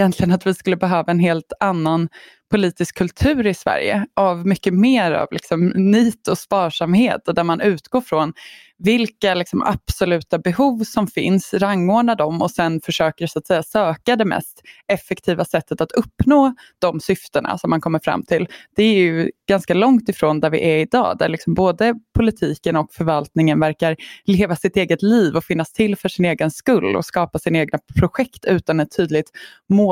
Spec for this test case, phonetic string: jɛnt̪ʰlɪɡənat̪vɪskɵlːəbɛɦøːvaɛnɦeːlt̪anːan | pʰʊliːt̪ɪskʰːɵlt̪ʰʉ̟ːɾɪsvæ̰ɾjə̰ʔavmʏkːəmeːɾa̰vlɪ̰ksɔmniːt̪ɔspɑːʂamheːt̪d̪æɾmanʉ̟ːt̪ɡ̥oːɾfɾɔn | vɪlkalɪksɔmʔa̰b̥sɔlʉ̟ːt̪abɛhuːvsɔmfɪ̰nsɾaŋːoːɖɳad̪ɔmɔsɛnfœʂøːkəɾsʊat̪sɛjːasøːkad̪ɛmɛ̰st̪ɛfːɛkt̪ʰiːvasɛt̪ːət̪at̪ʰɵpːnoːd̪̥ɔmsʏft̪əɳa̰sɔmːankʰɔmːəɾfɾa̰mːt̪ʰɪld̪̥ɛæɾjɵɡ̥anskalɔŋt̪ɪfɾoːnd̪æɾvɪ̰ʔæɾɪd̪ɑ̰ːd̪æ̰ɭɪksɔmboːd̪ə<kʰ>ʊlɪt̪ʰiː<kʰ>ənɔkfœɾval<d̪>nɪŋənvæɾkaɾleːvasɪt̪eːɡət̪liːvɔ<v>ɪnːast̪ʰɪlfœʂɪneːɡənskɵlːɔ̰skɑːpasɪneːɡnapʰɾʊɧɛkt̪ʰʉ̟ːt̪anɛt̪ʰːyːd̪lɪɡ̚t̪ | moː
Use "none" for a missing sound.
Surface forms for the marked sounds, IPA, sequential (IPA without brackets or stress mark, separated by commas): pʰ, k, t̪, f